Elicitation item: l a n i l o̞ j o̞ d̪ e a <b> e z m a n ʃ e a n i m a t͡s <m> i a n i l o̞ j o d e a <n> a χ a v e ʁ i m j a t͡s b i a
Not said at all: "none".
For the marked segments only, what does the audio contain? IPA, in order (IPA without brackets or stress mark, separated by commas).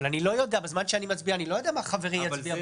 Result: b, b, m